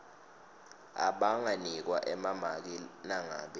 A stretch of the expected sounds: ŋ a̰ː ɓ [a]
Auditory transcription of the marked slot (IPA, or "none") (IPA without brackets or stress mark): ɛ